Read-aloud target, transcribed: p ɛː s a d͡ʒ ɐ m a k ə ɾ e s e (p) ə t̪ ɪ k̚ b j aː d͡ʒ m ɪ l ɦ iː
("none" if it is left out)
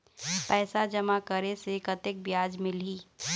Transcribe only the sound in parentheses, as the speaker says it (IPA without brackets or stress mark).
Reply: k